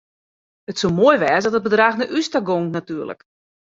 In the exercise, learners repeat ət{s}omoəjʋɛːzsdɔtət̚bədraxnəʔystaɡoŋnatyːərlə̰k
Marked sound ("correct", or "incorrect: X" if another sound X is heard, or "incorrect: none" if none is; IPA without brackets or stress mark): correct